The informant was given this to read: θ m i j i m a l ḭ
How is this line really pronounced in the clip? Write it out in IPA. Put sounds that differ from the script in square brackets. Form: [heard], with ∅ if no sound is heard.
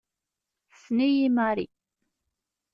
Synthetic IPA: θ [n] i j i m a [ɾ] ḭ